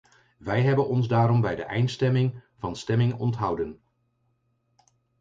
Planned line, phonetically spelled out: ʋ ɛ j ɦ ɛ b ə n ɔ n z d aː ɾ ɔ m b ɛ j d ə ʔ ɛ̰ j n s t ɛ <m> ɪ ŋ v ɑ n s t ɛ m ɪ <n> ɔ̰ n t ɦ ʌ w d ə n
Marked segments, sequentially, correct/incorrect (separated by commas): correct, incorrect